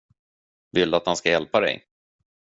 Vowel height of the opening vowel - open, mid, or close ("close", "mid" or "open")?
close